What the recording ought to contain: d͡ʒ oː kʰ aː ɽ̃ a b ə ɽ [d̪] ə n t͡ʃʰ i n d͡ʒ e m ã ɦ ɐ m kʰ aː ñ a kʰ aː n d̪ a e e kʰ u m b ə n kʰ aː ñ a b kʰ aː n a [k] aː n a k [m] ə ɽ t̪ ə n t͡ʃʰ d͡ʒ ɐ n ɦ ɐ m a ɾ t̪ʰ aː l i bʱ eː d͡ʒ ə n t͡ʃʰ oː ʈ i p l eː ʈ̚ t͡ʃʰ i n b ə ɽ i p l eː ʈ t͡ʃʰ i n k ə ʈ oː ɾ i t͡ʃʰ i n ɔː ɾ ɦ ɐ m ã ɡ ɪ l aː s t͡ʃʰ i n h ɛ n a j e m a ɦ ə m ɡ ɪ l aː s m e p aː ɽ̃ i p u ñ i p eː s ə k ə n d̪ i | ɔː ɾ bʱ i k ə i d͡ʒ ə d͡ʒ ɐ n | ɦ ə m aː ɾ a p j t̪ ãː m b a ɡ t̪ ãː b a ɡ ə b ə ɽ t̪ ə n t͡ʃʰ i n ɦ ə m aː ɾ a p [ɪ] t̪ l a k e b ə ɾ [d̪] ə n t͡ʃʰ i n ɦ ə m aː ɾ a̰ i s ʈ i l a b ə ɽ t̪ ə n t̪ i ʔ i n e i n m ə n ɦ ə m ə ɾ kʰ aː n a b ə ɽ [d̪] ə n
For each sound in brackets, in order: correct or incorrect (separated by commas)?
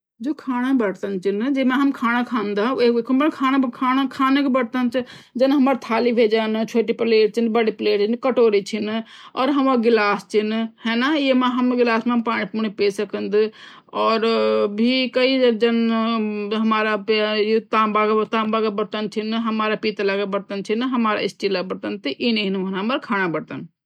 incorrect, incorrect, incorrect, incorrect, incorrect, incorrect